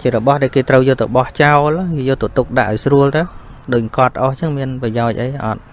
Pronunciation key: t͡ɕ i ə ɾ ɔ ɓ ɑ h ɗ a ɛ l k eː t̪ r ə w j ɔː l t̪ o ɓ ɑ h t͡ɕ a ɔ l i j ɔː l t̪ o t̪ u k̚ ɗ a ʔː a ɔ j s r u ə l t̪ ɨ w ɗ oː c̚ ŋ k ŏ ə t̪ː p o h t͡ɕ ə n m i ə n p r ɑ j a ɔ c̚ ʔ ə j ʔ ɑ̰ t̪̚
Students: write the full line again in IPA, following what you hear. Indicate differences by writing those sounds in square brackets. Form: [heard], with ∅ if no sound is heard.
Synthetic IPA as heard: t͡ɕ i ə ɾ ɔ ɓ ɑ h ɗ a ɛ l k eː t̪ r ə w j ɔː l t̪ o ɓ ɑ h t͡ɕ a ɔ l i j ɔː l t̪ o t̪ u k̚ ɗ a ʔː a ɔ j s r u ə l t̪ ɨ w ɗ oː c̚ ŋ k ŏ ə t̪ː [ʔ] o h t͡ɕ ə [ŋ] m i ə n p r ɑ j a ɔ c̚ ʔ ə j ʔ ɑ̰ t̪̚